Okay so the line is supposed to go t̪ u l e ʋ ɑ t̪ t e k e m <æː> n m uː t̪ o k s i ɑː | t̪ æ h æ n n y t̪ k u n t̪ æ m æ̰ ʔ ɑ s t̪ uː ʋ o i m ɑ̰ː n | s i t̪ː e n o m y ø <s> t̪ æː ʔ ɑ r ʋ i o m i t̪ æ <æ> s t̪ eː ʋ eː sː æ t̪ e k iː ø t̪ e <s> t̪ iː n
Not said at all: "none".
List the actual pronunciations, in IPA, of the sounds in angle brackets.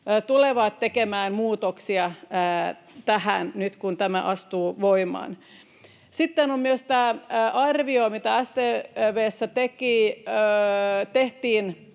æː, s, æ, h

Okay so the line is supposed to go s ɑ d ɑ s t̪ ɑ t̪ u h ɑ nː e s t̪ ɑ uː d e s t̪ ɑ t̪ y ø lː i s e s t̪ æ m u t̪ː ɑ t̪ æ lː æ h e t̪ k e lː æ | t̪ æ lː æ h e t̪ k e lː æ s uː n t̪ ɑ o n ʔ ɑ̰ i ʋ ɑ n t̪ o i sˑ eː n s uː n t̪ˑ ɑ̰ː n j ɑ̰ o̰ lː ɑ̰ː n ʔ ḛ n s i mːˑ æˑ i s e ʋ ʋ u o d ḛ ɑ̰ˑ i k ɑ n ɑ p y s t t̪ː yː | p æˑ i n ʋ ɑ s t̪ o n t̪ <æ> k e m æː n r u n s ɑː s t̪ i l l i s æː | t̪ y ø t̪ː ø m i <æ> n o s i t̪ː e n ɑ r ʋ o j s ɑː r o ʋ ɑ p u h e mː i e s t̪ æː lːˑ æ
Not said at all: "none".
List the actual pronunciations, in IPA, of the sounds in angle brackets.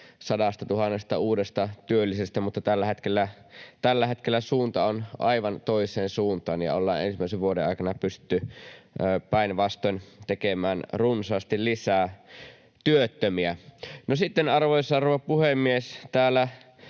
e, æ

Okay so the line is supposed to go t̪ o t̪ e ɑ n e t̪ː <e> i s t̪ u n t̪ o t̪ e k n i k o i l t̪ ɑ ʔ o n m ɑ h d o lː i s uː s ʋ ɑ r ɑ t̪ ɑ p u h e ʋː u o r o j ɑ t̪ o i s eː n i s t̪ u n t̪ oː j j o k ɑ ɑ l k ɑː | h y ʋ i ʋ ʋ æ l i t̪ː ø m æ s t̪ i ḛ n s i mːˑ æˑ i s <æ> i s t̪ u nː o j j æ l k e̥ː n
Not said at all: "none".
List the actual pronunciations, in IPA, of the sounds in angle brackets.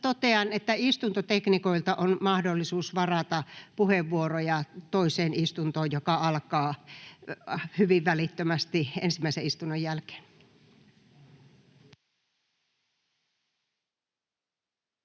æ, e

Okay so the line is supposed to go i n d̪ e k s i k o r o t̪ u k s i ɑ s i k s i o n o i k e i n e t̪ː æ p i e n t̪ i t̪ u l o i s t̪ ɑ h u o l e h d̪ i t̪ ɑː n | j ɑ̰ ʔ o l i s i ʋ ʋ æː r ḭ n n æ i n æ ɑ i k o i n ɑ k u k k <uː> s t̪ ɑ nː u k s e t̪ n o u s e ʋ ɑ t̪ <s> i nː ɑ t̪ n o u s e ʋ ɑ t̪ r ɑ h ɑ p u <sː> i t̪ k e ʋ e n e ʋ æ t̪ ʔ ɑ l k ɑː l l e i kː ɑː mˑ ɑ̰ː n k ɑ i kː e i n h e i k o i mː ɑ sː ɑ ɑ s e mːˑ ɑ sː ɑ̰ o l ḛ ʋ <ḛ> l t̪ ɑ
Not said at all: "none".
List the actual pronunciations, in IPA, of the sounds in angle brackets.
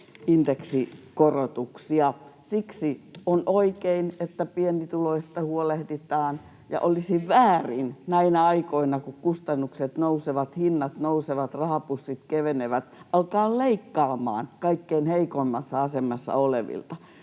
u, h, sː, ḭ

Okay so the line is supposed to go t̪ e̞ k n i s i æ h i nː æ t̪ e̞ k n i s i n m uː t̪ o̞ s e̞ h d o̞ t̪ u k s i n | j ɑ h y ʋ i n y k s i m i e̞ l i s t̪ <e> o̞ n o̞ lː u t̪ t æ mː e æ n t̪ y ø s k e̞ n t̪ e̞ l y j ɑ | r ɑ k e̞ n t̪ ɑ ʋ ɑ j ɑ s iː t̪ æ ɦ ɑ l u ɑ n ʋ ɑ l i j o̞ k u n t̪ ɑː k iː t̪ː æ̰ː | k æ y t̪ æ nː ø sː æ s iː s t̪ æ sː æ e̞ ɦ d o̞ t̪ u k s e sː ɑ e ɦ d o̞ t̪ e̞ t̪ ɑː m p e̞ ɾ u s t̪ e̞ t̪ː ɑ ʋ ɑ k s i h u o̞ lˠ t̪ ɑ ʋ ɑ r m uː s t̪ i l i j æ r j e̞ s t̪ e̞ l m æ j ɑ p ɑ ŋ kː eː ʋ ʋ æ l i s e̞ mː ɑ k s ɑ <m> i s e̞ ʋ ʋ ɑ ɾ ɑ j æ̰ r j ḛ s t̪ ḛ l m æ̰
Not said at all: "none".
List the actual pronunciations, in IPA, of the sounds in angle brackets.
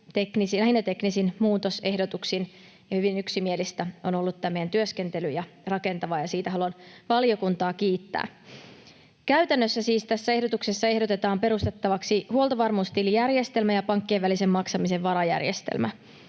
æ, m

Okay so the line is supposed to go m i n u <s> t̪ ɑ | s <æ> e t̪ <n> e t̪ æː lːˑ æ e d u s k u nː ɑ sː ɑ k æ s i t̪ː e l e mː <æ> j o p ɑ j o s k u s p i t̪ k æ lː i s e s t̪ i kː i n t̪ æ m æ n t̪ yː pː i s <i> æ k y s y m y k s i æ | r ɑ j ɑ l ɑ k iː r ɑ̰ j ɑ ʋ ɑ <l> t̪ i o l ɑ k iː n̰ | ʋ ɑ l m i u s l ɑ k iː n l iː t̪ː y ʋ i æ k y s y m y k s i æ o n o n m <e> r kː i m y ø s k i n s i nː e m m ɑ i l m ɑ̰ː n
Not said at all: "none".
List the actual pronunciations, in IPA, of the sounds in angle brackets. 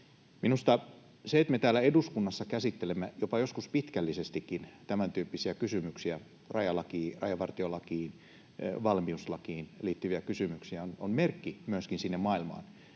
s, e, m, æ, i, r, e

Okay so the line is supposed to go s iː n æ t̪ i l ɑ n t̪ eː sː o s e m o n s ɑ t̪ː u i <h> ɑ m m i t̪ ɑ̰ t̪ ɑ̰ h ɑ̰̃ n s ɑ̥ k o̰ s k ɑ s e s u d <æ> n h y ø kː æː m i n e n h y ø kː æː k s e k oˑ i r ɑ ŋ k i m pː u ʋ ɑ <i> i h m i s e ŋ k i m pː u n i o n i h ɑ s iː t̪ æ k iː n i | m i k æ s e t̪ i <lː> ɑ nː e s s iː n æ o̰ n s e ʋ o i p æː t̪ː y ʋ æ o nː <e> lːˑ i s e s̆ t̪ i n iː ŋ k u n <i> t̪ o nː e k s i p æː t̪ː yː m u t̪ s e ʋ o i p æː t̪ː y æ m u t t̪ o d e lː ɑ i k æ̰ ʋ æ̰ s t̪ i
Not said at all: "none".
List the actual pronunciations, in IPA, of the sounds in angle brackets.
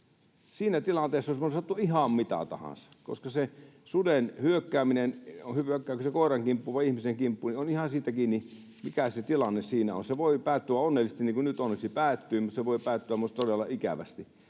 h, e, i, l, e, y

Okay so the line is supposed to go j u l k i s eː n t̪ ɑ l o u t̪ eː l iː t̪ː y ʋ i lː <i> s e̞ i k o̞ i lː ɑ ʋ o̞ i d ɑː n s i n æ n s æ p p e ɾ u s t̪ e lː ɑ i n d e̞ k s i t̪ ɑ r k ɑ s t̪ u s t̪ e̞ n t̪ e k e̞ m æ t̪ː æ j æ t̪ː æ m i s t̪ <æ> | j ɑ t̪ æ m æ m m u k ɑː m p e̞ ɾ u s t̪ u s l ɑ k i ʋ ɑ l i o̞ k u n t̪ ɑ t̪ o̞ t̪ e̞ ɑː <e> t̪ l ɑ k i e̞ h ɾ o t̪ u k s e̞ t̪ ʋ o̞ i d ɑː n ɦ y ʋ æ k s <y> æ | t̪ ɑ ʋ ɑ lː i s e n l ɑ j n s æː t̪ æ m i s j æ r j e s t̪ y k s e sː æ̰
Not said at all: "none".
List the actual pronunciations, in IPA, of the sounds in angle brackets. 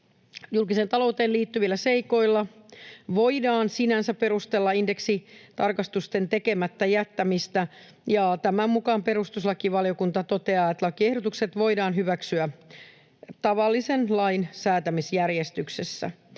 æ, æ, e, y

